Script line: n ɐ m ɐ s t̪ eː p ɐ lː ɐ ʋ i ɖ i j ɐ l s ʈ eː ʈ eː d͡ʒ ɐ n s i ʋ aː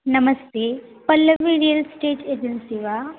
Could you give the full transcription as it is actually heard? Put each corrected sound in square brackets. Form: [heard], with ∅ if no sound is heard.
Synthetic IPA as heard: n ɐ m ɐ s t̪ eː p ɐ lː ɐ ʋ i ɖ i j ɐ l s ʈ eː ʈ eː d͡ʒ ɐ n s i ʋ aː